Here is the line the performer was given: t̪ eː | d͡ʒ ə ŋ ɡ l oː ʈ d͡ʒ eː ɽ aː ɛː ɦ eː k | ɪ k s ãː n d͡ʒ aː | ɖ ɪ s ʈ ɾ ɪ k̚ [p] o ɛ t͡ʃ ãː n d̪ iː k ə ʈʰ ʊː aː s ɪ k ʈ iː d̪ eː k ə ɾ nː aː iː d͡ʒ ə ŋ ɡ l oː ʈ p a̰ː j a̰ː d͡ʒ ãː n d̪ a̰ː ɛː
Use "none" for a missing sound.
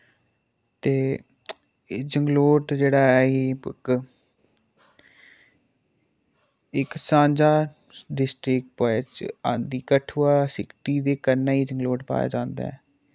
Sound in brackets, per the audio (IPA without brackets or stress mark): p